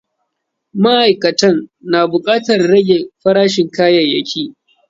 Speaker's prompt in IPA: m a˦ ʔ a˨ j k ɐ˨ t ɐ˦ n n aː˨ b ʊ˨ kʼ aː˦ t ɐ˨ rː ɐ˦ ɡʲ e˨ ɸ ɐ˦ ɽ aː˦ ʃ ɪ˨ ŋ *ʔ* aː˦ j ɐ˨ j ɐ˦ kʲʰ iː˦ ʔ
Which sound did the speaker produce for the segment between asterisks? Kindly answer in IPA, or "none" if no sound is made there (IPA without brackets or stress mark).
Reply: k